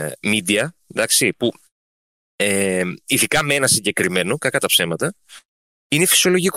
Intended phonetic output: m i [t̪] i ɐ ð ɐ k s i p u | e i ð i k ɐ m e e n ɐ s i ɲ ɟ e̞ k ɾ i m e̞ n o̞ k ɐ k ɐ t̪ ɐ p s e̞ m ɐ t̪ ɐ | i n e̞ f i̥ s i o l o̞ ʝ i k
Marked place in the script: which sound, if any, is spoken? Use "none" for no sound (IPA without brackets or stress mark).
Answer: d̪